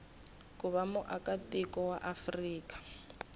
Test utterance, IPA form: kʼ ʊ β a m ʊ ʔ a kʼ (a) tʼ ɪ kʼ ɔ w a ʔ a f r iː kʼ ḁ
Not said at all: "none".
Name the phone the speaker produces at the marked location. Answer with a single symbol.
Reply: a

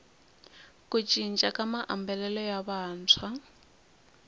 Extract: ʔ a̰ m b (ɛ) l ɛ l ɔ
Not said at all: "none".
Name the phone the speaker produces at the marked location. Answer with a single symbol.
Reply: ɛ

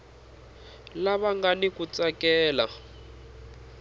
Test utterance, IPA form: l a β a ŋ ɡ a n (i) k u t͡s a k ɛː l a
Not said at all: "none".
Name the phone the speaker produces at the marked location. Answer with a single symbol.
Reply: i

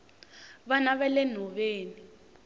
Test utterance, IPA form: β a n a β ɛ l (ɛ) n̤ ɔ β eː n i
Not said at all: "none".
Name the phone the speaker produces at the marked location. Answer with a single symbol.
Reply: ɛ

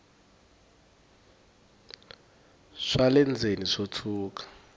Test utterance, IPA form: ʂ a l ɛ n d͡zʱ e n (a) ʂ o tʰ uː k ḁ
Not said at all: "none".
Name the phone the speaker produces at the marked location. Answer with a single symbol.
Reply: i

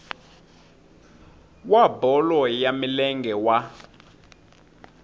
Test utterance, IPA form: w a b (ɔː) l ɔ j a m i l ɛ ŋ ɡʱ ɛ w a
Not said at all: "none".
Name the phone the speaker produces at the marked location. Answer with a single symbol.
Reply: ɔ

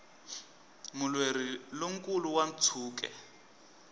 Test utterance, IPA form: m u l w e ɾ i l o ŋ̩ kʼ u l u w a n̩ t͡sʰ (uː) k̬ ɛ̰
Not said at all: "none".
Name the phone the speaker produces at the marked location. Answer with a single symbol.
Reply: uː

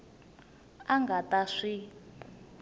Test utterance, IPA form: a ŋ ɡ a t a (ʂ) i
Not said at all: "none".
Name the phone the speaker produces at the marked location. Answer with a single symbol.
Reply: ʂ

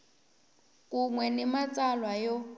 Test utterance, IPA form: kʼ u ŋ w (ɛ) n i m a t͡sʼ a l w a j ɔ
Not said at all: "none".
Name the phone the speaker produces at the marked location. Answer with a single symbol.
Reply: ɛ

